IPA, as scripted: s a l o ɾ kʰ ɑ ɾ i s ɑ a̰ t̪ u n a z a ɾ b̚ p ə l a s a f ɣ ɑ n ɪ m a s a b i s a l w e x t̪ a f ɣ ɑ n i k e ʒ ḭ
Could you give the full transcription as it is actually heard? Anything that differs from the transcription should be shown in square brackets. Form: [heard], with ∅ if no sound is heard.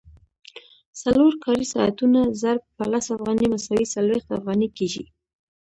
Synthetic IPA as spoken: s a l o ɾ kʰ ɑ ɾ i s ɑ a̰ t̪ u n a z a ɾ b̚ p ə l a s a f ɣ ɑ n [i] m a s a [w] i s a l w e x t̪ a f ɣ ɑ n i k e ʒ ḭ